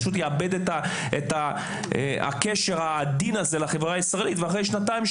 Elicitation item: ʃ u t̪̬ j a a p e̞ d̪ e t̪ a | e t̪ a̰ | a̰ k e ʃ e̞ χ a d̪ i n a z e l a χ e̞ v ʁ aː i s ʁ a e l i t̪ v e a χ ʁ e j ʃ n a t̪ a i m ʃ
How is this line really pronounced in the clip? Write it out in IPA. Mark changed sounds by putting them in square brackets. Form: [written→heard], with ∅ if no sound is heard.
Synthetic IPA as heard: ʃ u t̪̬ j [a→e] a [p→b] e̞ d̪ e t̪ a | e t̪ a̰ | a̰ k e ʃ e̞ [χ→ʁ] a d̪ i n a z e l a χ e̞ v ʁ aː i s ʁ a e l i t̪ v e a χ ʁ e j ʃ n a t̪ a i m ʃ

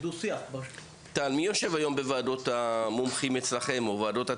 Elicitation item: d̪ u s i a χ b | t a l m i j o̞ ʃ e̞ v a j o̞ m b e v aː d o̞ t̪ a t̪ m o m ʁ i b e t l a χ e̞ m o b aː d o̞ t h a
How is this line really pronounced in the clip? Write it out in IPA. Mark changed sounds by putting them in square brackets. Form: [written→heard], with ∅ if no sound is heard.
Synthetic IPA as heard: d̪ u s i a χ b | t a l m i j o̞ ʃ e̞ v a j o̞ m b e v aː d o̞ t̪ a [t̪→∅] m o m [ʁ→χ] i [b→m] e [t→t͡s] l a χ e̞ m o [b→v] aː d o̞ t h a

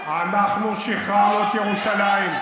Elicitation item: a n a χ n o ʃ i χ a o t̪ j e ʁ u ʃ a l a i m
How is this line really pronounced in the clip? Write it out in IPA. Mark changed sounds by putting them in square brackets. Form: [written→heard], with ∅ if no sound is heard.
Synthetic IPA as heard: a n a χ n [o→u] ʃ i χ a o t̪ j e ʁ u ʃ a l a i m

